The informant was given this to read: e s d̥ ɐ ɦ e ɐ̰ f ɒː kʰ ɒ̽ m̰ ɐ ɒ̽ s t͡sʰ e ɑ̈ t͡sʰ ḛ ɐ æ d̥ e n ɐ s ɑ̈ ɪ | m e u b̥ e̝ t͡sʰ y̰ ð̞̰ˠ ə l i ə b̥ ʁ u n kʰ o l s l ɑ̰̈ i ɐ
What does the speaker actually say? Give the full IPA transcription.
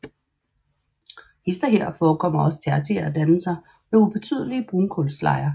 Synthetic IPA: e s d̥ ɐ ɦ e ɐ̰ f ɒː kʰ ɒ̽ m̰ ɐ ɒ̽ s t͡sʰ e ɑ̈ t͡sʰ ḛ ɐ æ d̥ æ n ə s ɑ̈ ɪ | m e u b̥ e̝ t͡sʰ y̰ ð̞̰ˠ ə l i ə b̥ ʁ u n kʰ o l s l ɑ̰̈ ɪ ɐ

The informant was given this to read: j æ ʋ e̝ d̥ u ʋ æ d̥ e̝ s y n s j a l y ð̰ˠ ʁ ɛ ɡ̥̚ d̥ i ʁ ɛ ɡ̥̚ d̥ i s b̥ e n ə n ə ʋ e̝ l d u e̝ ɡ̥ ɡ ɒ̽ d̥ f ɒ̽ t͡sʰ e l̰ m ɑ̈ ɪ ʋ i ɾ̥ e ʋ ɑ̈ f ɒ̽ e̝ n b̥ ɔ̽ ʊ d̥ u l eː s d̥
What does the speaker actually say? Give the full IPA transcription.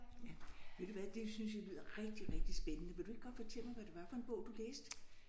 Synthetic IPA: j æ ʋ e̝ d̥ u ʋ æ d̥ e̝ s y n s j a l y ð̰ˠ ʁ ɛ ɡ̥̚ d̥ i ʁ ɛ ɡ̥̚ d̥ i s b̥ e n ə n ə ʋ e̝ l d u e̝ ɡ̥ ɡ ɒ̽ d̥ f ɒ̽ t͡sʰ e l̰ m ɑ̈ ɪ ʋ æ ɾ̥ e ʋ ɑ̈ f ɒ̽ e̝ n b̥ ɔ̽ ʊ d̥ u l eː s d̥

